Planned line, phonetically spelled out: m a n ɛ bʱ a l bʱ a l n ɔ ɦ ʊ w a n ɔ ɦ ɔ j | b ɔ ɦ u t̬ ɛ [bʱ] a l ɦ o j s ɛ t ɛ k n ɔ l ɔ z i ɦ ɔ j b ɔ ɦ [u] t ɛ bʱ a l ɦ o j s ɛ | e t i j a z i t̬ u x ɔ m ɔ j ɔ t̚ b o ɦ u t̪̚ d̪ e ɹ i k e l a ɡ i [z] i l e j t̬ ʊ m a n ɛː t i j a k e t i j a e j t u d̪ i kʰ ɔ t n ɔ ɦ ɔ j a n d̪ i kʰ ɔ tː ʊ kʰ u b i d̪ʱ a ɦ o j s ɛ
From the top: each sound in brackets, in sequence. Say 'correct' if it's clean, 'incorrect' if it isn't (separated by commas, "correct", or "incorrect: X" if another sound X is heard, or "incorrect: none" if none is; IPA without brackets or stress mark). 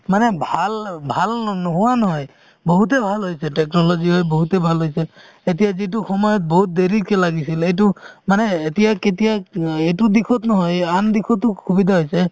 correct, correct, incorrect: s